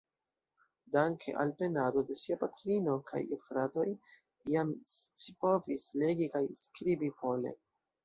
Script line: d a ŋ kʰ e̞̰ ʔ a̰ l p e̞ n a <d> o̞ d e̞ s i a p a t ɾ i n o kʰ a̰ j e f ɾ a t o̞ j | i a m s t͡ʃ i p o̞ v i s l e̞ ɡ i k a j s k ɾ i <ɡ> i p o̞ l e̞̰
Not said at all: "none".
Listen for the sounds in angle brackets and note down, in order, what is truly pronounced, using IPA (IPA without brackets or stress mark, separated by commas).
d, b